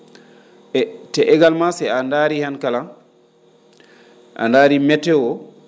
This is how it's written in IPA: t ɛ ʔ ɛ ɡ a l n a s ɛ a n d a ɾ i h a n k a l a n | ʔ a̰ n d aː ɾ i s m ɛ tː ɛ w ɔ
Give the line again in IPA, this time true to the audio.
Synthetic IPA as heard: t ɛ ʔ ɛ ɡ a l m a s ɛ a n d a ɾ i h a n k a l a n | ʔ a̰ n d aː ɾ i m ɛ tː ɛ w ɔ

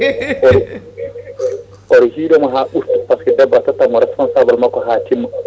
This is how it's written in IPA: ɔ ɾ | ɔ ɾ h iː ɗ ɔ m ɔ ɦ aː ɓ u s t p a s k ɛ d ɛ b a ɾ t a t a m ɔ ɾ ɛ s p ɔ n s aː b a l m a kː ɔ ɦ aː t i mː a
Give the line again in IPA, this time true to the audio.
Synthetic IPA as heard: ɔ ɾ | ɔ ɾ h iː ɗ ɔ m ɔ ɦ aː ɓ u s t p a s k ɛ d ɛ b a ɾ t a t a m ɔ ɾ ɛ s p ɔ n s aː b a l m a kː ɔ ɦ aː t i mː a

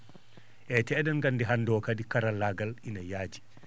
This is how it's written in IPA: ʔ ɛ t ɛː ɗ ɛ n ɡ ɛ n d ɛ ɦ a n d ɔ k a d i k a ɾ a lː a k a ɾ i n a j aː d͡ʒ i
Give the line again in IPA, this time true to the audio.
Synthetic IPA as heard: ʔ ɛ t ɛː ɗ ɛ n ɡ a n d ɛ ɦ a n d ɔ k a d i k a ɾ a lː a ɡ a l i n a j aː d͡ʒ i

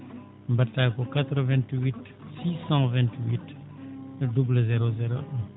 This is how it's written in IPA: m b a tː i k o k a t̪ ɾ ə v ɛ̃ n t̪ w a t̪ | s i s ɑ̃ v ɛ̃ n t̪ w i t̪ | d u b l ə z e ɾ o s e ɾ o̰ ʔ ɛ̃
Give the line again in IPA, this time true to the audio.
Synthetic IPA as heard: m b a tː a k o k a t̪ ɾ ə v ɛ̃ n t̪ w i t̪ | s i s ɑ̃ v ɛ̃ n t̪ w i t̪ | d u b l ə z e ɾ o z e ɾ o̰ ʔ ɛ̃

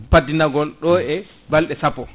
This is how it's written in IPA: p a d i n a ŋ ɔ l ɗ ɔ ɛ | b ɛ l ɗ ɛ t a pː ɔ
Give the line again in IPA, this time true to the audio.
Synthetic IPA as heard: p a d i n a ɡ ɔ l ɗ ɔ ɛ | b a l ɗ ɛ s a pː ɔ

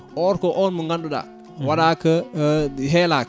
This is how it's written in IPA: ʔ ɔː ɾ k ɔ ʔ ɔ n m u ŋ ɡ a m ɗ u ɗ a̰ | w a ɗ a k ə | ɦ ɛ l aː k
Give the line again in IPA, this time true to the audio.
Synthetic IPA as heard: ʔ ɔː ɾ k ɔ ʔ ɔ n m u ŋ ɡ a n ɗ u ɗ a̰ | w a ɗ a k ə | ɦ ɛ l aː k

